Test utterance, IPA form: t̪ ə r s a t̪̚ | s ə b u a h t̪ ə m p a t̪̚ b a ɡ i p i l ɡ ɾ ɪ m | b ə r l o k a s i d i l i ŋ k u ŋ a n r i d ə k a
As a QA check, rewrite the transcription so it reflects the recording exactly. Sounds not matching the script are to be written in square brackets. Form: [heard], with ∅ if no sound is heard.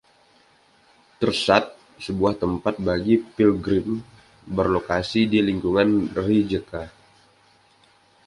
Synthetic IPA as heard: t̪ ə r s a t̪̚ | s ə b u a h t̪ ə m p a t̪̚ b a ɡ i p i l ɡ ɾ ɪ m | b ə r l o k a s i d i l i ŋ k u ŋ a n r i [d͡ʒ] ə k a